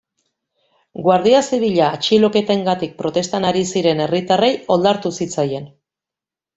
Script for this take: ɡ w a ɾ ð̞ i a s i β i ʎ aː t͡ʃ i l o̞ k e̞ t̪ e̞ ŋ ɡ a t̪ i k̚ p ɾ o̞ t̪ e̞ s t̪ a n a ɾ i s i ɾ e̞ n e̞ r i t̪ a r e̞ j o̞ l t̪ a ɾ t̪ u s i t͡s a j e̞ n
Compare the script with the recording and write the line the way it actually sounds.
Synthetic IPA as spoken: ɡ w a ɾ ð̞ i a s i β i ʎ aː t͡ʃ i l o̞ k e̞ t̪ e̞ ŋ ɡ a t̪ i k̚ p ɾ o̞ t̪ e̞ s t̪ a n a ɾ i s i ɾ e̞ n e̞ r i t̪ a r e̞ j o̞ l d̪ a ɾ t̪ u s i t͡s a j e̞ n

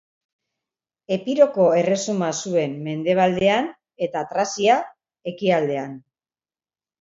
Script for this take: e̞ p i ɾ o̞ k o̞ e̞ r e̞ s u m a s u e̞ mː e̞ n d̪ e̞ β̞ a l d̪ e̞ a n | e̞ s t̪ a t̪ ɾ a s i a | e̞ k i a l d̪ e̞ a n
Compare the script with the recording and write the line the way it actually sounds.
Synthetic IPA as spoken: e̞ p i ɾ o̞ k o̞ e̞ r e̞ s u m a s u e̞ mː e̞ n d̪ e̞ β̞ a l d̪ e̞ a n | e̞ t̪ a t̪ ɾ a s i a | e̞ k i a l d̪ e̞ a n

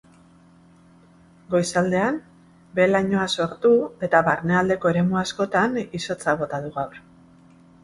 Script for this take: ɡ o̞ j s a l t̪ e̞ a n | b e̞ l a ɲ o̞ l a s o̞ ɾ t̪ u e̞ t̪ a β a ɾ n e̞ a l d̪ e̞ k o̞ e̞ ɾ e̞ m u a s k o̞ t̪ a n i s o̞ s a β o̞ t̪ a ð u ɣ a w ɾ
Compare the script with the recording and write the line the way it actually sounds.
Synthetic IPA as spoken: ɡ o̞ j s a l d̪ e̞ a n | b e̞ l a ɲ o̞ a s o̞ ɾ t̪ u e̞ t̪ a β a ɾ n e̞ a l d̪ e̞ k o̞ e̞ ɾ e̞ m u a s k o̞ t̪ a n i s o̞ t͡s a β o̞ t̪ a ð u ɣ a w ɾ

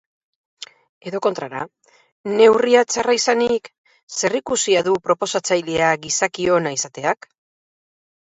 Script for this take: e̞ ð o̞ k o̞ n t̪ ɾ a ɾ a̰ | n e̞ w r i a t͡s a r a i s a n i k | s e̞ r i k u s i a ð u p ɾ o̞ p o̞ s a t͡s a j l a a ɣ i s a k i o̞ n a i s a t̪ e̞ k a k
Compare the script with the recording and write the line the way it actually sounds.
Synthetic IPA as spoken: e̞ ð o̞ k o̞ n t̪ ɾ a ɾ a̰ | n e̞ w r i a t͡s a r a i s a n i k | s e̞ r i k u s i a ð u p ɾ o̞ p o̞ s a t͡s a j l e a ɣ i s a k i o̞ n a i s a t̪ e̞ a k

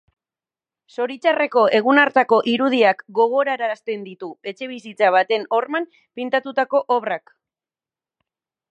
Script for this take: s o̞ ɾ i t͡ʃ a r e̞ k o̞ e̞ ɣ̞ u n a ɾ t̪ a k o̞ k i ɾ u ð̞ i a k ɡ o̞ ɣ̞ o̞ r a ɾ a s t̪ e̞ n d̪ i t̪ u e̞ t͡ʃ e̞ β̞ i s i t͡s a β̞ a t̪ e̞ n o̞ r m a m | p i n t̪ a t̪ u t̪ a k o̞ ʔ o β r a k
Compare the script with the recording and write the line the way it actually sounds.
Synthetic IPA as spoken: s o̞ ɾ i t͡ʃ a r e̞ k o̞ e̞ ɣ̞ u n a ɾ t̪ a k o̞ ʔ i ɾ u ð̞ i a k ɡ o̞ ɣ̞ o̞ ɾ a ɾ a s t̪ e̞ n d̪ i t̪ u e̞ t͡ʃ e̞ β̞ i s i t͡s a β̞ a t̪ e̞ n o̞ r m a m | p i n t̪ a t̪ u t̪ a k o̞ ʔ o β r a k

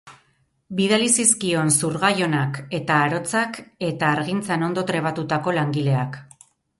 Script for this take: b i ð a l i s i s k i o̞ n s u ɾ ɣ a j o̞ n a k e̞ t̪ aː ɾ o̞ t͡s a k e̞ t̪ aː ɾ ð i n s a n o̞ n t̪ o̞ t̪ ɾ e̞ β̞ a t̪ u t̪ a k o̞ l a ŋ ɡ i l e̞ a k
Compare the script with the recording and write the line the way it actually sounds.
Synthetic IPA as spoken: b i ð a l i s i s k i o̞ n s u ɾ ɣ a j o̞ n a k e̞ t̪ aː ɾ o̞ t͡s a k e̞ t̪ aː ɾ ɣ i n t͡s a n o̞ n d̪ o̞ t̪ ɾ e̞ β̞ a t̪ u t̪ a k o̞ l a ŋ ɡ i l e̞ a k

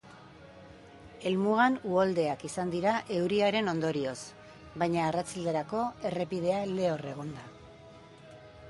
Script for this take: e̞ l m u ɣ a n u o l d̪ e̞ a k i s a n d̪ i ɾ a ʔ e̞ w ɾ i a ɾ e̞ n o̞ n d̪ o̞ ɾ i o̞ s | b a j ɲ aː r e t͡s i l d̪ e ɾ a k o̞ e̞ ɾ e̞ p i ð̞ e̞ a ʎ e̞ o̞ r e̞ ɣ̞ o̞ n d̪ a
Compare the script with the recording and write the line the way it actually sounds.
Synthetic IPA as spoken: e̞ l m u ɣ a n u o l d̪ e̞ a k i s a n d̪ i ɾ a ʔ e̞ w ɾ i a ɾ e̞ n o̞ n d̪ o̞ ɾ i o̞ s | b a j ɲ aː r a t͡s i l d̪ e ɾ a k o̞ e̞ r e̞ p i ð̞ e̞ a l e̞ o̞ r e̞ ɣ̞ o̞ n d̪ a

